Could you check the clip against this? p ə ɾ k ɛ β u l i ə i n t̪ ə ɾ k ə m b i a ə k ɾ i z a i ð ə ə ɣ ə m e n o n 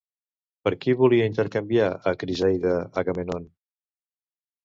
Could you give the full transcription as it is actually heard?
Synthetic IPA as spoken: p ə ɾ k i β u l i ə i n t̪ ə ɾ k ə m b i a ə k ɾ i z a j ð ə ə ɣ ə m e n o n